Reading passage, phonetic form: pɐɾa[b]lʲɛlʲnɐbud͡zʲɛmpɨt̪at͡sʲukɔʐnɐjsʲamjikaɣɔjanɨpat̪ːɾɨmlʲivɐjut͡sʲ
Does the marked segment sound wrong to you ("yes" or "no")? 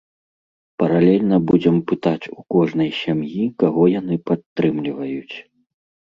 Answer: yes